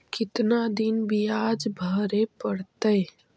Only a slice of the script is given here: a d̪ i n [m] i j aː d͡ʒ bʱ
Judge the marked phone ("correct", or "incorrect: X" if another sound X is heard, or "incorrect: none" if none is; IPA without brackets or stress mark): incorrect: b